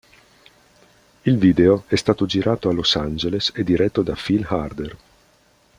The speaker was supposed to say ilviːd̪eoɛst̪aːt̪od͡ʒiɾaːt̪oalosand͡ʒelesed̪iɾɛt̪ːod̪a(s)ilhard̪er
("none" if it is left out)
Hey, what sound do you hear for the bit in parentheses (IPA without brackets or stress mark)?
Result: f